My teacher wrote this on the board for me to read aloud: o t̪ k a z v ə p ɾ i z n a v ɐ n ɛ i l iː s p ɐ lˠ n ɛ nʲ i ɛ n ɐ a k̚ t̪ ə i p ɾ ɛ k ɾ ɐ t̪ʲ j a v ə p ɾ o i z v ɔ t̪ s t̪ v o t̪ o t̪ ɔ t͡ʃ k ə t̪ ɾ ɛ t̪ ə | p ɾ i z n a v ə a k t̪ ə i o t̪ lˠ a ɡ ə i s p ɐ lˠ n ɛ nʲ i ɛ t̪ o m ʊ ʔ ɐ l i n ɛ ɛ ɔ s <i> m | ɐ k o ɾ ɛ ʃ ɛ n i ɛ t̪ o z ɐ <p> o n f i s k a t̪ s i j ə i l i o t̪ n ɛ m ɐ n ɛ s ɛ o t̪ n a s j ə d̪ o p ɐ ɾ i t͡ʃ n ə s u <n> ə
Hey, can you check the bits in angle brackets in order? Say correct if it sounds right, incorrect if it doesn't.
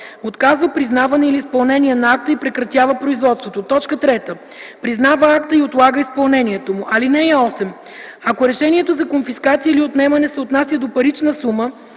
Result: incorrect: ɛ, incorrect: k, incorrect: m

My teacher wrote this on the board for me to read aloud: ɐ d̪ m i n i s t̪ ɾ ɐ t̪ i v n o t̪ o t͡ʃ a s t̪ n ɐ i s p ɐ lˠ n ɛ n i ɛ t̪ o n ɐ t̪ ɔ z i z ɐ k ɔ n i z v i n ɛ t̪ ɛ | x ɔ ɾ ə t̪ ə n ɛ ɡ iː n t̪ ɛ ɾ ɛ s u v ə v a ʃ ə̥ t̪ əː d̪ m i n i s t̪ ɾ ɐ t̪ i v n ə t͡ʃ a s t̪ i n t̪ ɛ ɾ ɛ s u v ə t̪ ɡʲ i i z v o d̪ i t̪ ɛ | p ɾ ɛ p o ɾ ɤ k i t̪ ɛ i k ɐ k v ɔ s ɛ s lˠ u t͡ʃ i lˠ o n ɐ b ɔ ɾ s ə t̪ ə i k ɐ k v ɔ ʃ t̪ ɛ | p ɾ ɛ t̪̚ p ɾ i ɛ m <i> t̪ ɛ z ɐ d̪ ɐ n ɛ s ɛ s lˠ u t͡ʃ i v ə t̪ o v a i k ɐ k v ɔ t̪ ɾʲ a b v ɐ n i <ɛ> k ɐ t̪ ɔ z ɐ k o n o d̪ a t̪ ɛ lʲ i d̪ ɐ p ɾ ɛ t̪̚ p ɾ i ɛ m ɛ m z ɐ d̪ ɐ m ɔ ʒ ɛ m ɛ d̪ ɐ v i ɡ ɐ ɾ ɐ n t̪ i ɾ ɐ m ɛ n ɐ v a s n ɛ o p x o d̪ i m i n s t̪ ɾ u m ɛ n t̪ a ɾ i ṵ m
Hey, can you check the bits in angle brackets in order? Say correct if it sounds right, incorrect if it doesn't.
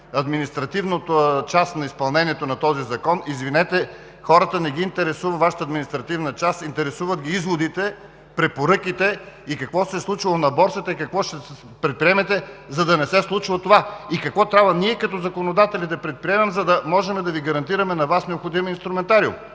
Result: incorrect: ɛ, correct

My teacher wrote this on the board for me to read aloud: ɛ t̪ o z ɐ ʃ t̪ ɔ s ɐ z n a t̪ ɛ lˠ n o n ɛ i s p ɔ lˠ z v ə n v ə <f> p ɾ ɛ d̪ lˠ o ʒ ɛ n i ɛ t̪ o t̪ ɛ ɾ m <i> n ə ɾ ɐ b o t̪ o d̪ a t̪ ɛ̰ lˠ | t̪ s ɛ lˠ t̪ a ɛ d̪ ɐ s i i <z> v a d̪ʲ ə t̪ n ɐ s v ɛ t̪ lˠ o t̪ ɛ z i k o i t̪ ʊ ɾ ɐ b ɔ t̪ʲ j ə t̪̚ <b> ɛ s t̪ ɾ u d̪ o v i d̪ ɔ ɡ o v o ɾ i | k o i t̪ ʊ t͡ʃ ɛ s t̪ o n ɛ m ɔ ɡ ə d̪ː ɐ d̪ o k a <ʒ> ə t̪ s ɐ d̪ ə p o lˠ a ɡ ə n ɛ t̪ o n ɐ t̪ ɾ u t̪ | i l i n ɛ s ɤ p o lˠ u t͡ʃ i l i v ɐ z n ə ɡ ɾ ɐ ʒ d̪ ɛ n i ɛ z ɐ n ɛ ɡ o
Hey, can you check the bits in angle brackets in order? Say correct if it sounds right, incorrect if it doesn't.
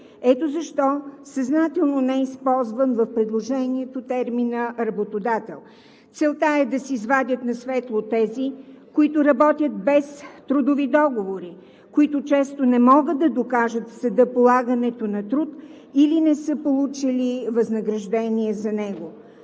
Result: correct, correct, correct, correct, correct

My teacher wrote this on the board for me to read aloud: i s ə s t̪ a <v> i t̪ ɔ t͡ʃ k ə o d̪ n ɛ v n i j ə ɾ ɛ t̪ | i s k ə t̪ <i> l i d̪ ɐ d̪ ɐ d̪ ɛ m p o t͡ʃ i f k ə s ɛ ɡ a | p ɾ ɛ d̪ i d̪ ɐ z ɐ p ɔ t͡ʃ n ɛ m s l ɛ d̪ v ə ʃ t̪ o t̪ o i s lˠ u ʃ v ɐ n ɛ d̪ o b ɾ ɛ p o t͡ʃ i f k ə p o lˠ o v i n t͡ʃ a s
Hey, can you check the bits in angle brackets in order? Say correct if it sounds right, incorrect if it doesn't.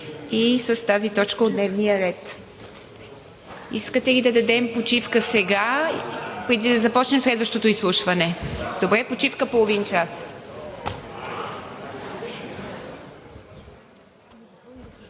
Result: incorrect: z, incorrect: ɛ

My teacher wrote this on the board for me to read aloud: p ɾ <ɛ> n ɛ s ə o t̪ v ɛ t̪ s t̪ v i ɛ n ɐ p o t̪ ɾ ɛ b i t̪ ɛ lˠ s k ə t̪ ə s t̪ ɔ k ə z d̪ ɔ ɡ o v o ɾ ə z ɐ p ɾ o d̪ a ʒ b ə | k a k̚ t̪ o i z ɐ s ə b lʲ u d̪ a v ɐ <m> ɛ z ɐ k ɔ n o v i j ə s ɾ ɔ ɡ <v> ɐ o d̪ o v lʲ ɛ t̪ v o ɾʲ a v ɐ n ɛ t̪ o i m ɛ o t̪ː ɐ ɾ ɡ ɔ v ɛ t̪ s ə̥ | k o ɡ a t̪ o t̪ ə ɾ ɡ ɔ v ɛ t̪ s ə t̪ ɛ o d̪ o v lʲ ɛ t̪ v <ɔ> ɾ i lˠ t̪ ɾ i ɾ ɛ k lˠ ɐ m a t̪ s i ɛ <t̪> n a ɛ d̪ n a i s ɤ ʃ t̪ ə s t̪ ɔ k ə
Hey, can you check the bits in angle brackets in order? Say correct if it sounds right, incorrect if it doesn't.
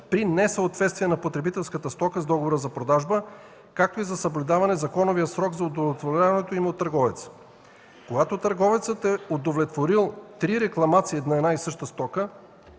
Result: incorrect: i, incorrect: n, incorrect: z, incorrect: o, incorrect: d̪

